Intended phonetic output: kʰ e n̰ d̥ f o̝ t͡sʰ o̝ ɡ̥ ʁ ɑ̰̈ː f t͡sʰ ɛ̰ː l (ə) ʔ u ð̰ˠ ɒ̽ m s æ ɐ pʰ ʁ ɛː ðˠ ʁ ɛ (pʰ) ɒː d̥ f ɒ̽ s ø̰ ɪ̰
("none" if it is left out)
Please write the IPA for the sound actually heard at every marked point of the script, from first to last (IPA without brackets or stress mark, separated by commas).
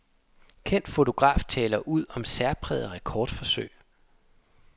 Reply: ɐ, kʰ